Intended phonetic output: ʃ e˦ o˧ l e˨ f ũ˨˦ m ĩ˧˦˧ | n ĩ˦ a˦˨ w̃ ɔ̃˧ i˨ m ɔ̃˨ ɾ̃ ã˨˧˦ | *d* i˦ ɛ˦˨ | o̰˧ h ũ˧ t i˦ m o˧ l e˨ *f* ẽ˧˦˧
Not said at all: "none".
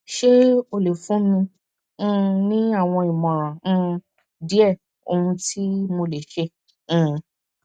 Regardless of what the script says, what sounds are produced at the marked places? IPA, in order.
d, ʃ

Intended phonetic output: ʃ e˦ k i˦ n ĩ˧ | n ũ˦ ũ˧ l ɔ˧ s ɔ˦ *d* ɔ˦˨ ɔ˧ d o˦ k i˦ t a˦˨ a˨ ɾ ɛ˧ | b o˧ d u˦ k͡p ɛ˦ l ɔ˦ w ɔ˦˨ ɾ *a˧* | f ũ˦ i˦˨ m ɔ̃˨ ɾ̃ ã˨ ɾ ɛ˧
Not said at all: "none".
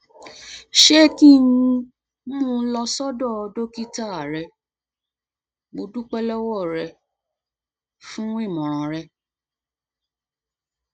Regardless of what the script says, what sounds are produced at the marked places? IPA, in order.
d, ɛ˧

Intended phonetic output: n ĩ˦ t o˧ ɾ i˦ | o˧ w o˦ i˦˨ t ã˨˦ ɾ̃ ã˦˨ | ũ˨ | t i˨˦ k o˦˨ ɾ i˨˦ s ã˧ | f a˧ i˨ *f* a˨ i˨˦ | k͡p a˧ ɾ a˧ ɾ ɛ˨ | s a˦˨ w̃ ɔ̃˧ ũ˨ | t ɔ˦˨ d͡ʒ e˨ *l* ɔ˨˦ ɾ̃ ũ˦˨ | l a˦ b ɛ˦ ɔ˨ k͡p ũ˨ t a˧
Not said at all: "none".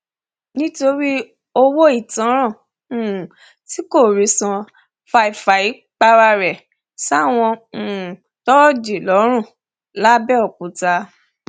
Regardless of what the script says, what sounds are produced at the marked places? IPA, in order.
f, l

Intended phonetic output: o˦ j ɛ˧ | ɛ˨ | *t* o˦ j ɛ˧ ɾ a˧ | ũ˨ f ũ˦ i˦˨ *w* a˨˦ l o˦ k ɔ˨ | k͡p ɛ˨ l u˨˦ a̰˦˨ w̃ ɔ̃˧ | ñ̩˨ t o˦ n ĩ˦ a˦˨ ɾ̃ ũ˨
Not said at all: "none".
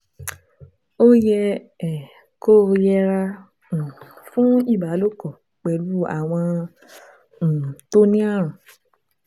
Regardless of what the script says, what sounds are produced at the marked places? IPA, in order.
k, b

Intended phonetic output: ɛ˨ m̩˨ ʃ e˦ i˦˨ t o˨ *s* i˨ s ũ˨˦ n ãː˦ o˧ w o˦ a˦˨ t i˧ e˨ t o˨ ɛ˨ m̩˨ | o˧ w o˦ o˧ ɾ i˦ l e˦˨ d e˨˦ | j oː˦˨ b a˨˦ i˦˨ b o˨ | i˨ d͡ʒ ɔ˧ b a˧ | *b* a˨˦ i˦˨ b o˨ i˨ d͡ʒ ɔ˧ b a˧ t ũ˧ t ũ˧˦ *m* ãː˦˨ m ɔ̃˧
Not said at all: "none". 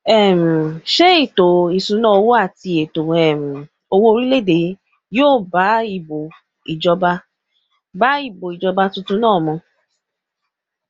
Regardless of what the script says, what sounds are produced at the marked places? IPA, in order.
none, b, n

